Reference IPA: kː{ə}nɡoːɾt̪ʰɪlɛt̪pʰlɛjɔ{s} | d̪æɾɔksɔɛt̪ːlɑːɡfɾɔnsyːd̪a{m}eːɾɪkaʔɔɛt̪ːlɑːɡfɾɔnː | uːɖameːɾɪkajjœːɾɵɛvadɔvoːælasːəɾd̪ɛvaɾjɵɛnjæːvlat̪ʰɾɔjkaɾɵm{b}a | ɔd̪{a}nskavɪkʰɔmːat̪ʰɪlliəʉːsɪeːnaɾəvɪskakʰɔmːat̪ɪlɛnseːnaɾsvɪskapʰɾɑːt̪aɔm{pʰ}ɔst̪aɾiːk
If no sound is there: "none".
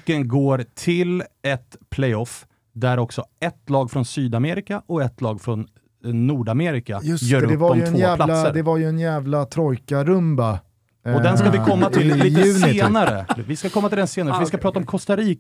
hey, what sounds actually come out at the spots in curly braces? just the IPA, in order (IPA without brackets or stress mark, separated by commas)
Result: ə, f, m, b, ɛ, kʰ